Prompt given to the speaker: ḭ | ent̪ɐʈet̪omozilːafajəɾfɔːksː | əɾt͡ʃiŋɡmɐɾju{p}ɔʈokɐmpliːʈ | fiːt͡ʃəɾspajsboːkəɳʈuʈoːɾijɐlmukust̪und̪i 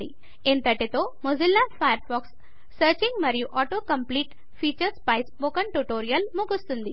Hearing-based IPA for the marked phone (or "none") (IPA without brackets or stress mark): ʔ